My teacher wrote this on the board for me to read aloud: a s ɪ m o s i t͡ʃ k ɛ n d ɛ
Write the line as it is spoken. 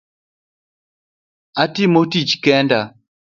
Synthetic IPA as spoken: a t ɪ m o t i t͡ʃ k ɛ n d a